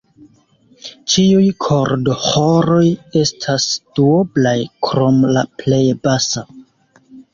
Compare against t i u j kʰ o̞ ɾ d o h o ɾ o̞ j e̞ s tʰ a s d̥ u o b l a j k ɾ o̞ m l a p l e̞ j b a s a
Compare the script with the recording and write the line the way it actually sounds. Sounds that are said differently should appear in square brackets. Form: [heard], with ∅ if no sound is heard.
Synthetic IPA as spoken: [t͡ʃ] i u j kʰ o̞ ɾ d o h o ɾ o̞ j e̞ s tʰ a s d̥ u o b l a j k ɾ o̞ m l a p l e̞ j b a s a